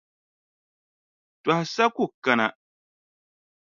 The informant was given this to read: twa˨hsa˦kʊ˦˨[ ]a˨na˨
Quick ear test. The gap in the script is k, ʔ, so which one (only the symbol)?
k